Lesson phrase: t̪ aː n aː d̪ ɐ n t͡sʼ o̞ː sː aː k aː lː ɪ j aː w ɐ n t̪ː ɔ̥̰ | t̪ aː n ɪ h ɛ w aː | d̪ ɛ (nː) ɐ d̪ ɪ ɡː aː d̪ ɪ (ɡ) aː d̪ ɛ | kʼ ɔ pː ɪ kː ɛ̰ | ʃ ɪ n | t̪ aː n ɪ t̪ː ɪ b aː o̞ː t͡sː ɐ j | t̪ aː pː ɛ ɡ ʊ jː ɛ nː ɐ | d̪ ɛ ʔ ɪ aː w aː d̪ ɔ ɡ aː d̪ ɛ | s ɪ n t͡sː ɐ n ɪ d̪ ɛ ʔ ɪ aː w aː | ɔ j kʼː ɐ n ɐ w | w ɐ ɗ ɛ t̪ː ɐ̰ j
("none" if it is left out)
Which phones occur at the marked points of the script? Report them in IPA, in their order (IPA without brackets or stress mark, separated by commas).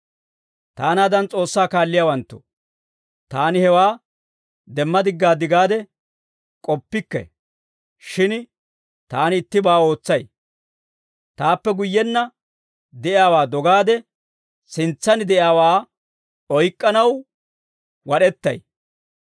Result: mː, ɡ